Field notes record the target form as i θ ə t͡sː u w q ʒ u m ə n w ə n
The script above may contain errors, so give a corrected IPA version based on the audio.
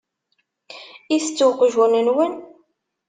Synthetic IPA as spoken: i θ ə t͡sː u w q ʒ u n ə n w ə n